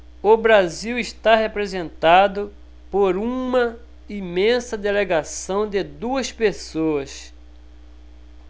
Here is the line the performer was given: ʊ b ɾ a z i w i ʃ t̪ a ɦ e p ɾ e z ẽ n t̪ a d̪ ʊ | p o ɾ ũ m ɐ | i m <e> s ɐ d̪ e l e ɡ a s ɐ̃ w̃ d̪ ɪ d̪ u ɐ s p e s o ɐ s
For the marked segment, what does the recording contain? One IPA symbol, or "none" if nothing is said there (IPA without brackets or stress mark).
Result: ẽ